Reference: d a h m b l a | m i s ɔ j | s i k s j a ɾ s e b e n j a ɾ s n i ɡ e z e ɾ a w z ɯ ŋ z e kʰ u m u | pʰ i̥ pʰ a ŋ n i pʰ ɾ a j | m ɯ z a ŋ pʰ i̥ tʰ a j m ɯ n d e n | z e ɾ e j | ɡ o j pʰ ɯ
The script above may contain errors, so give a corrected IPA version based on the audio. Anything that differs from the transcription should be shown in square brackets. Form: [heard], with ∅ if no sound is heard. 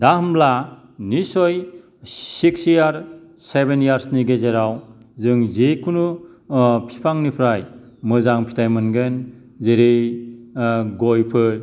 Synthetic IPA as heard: d a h m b l a | [n] i s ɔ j | s i k s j a ɾ s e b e n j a ɾ s n i ɡ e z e ɾ a w z ɯ ŋ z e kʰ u [n] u | pʰ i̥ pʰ a ŋ n i pʰ ɾ a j | m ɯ z a ŋ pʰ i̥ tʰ a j m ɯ n [ɡ] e n | z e ɾ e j | ɡ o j pʰ ɯ